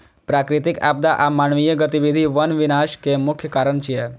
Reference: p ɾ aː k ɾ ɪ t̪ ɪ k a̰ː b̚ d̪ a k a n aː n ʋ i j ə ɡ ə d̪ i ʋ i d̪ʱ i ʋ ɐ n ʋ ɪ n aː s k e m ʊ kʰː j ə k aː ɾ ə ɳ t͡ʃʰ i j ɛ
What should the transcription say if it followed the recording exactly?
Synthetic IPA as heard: p ɾ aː k ɾ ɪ t̪ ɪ k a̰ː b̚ d̪ a ʔ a m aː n ʋ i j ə ɡ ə t̪ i ʋ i d̪ʱ i ʋ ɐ n ʋ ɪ n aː ʃ k e m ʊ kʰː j ə k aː ɾ ə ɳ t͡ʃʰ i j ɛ